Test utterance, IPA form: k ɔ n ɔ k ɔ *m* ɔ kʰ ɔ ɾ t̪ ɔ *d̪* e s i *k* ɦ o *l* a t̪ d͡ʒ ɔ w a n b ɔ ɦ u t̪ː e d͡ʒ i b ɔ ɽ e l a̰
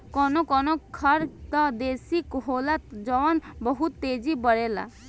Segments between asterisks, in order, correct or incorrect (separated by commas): incorrect, correct, correct, correct